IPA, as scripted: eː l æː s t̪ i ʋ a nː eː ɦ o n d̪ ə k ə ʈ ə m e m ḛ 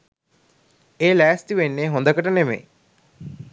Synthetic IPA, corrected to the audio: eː l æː s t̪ i ʋ e nː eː ɦ o n d̪ ə k ə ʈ ə n e m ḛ